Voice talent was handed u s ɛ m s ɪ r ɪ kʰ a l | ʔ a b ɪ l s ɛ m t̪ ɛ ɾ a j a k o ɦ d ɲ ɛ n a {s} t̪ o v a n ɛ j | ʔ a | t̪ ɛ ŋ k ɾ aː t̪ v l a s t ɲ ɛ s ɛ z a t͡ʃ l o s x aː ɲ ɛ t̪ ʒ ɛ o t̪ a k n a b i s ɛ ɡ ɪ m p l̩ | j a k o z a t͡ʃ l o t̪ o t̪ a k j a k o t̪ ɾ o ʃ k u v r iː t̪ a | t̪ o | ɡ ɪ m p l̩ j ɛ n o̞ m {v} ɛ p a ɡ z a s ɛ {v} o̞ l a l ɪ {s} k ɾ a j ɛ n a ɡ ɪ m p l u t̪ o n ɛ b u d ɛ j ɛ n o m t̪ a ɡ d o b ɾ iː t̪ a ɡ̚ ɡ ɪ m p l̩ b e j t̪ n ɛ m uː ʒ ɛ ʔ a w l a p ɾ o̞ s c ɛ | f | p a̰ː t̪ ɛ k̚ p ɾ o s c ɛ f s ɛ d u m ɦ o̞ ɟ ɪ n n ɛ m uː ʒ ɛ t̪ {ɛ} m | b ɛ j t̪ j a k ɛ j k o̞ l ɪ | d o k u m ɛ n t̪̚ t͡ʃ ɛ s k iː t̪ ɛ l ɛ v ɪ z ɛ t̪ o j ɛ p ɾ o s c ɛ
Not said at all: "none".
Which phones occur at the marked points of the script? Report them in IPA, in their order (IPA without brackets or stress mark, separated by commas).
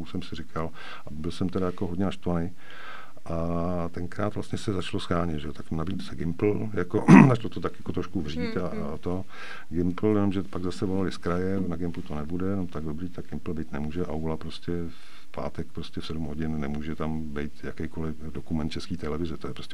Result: ʃ, ʒ, v, s, a